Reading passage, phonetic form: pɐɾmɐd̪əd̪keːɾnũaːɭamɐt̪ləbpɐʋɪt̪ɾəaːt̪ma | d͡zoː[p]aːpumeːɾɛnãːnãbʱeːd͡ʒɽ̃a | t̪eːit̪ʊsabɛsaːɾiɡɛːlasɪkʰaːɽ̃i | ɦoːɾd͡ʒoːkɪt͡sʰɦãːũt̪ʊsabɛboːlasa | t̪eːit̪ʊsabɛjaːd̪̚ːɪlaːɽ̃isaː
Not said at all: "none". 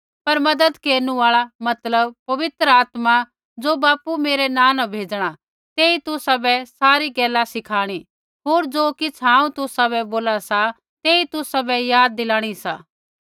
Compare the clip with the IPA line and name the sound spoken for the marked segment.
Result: b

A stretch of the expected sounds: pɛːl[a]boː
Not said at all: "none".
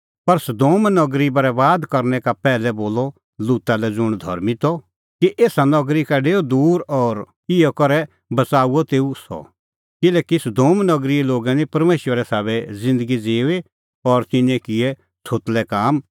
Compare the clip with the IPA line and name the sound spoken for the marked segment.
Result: ɛ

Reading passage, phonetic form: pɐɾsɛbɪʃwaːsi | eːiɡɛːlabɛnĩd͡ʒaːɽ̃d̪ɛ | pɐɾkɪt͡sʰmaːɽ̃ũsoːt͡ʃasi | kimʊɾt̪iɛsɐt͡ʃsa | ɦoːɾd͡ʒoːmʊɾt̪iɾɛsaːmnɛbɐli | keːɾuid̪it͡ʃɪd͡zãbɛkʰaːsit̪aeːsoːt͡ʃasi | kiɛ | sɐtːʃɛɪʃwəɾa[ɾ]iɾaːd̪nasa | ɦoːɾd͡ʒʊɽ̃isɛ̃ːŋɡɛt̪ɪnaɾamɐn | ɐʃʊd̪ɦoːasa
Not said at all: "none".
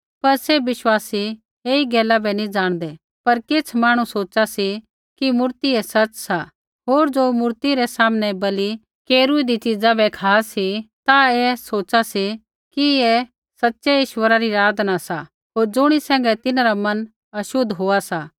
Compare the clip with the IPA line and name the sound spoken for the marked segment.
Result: ɾ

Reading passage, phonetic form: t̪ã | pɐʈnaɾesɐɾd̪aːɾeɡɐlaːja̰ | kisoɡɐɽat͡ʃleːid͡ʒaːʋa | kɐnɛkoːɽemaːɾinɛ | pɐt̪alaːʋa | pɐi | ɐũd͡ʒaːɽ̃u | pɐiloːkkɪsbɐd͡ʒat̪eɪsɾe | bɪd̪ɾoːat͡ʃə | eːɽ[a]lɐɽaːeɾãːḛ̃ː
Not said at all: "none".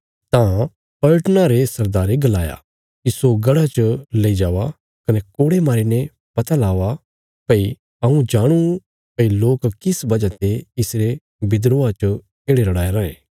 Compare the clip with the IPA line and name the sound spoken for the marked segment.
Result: e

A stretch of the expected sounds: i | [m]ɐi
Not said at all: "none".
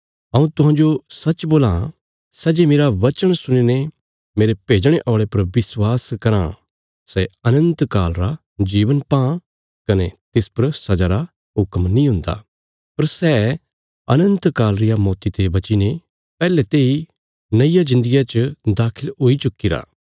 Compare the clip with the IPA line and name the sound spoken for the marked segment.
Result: n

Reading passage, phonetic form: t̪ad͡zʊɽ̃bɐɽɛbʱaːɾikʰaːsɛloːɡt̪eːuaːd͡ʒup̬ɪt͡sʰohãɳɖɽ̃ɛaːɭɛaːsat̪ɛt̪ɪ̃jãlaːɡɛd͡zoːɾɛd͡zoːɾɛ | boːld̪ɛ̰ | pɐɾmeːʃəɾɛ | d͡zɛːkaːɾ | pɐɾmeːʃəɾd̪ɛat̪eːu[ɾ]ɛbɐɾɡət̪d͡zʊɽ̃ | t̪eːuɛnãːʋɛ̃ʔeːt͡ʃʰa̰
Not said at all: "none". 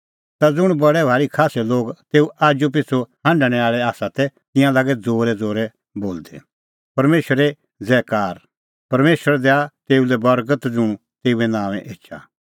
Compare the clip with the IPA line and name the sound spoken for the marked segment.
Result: l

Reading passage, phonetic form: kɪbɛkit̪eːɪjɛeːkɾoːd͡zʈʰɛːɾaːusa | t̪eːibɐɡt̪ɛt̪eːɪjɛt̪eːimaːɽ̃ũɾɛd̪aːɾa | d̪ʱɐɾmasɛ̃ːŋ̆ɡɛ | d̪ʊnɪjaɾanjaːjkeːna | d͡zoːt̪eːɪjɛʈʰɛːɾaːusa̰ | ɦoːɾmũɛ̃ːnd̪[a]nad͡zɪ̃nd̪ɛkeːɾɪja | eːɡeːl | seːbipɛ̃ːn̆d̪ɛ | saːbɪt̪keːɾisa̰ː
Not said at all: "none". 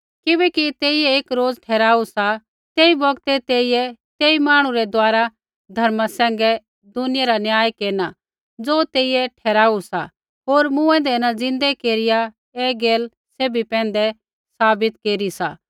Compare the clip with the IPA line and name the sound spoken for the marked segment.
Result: ɛ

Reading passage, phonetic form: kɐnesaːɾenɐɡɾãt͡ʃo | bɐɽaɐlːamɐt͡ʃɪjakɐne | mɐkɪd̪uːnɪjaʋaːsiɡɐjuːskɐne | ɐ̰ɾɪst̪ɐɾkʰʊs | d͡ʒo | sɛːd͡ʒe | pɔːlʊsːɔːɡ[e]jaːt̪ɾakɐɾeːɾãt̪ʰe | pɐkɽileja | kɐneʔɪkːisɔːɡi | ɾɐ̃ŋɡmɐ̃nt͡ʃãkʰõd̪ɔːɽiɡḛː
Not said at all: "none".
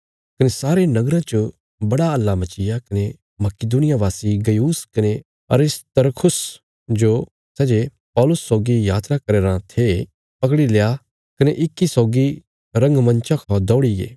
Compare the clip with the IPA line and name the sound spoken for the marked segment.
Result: i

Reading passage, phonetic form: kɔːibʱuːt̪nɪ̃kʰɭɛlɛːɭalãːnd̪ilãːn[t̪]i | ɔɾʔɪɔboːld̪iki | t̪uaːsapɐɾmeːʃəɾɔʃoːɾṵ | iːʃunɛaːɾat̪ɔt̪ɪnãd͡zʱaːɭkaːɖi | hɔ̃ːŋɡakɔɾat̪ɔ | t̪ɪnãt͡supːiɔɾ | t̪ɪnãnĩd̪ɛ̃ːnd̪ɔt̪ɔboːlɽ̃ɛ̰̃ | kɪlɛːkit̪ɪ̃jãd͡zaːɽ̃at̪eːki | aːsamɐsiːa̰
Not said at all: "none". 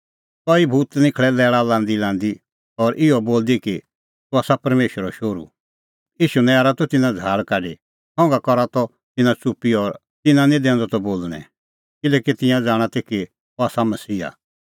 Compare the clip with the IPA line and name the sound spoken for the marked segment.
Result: d̪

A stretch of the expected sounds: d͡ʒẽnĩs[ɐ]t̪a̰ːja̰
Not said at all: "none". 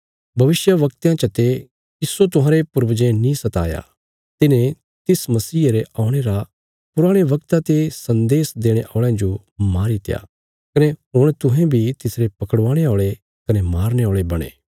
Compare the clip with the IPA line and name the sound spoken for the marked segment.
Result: ɐ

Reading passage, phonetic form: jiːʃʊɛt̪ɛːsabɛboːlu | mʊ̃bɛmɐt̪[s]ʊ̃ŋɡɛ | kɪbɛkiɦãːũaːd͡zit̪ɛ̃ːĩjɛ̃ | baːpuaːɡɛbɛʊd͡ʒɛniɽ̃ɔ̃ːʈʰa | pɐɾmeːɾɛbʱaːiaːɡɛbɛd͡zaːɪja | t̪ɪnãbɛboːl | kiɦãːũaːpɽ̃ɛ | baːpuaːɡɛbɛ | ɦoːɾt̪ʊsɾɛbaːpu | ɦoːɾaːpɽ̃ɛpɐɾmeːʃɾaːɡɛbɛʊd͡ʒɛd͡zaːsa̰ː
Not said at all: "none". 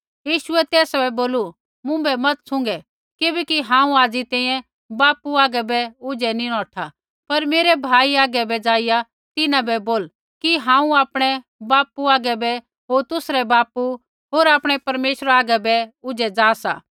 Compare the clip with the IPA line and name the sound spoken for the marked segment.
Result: s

